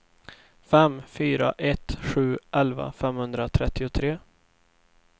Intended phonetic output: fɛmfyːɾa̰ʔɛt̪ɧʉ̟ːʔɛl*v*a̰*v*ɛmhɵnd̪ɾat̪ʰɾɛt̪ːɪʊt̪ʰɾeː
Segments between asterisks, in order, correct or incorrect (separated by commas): correct, incorrect